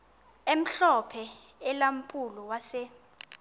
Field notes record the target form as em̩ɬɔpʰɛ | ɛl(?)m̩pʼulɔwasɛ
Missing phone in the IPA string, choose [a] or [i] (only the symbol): a